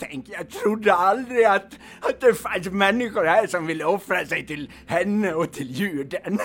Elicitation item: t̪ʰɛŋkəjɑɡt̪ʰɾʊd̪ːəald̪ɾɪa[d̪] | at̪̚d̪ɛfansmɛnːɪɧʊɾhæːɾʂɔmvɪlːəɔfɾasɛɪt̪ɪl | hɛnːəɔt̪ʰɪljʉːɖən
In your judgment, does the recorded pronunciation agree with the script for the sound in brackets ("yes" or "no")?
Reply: no